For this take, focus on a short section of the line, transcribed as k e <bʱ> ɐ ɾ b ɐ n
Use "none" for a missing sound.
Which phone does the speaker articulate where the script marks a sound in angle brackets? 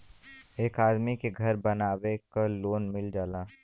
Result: ɡʱ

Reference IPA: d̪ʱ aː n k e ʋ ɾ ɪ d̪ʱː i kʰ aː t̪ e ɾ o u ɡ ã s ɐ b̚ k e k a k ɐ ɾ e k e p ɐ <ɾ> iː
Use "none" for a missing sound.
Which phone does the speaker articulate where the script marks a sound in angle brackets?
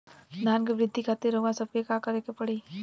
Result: ɽ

